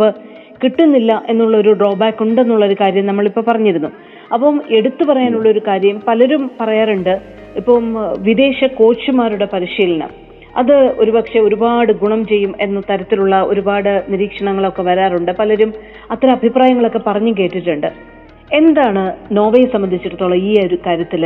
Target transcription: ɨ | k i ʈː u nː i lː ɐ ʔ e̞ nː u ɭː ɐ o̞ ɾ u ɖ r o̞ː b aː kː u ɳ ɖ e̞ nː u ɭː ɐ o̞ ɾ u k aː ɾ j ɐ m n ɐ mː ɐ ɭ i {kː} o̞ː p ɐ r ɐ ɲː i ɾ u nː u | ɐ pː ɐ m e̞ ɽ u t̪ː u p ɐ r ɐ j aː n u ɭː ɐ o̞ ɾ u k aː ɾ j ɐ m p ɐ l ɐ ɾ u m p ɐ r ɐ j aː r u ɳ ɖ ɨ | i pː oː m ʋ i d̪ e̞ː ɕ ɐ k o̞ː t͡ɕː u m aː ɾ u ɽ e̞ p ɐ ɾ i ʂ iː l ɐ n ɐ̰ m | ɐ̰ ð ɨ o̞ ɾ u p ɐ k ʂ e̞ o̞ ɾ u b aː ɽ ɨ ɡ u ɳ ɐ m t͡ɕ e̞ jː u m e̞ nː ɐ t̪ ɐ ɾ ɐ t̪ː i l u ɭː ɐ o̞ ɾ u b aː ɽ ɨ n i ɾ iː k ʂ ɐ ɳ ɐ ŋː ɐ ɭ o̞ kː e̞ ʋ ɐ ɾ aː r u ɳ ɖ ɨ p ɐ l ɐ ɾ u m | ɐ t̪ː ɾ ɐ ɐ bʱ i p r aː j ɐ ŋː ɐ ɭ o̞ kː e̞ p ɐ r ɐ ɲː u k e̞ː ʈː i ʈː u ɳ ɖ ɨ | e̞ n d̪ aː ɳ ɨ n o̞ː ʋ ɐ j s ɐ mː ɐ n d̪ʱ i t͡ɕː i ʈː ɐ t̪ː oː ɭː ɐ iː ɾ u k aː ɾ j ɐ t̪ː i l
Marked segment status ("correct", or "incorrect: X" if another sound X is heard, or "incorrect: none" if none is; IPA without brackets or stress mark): incorrect: pː